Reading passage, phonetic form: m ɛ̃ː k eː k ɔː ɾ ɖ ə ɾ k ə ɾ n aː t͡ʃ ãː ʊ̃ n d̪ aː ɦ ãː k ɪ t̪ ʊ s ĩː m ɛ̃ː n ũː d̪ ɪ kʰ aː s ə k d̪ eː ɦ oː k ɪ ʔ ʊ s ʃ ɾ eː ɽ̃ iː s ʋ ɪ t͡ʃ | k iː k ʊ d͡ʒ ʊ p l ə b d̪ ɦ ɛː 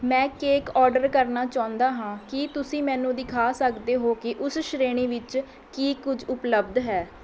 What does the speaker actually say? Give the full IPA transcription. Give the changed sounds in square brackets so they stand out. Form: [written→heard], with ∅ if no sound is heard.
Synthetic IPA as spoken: m ɛ̃ː k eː k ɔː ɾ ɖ ə ɾ k ə ɾ n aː t͡ʃ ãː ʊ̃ n d̪ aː ɦ ãː k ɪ t̪ ʊ s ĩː m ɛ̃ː n ũː d̪ ɪ kʰ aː s ə k d̪ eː ɦ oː k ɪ ʔ ʊ s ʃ ɾ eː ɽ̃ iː [s→∅] ʋ ɪ t͡ʃ | k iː k ʊ d͡ʒ ʊ p l ə b d̪ ɦ ɛː